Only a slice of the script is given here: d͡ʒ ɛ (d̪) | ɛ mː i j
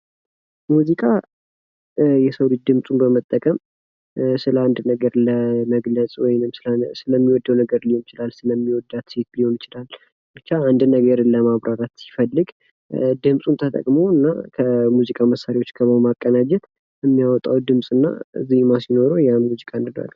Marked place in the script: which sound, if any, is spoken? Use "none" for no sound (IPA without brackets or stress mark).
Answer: t̪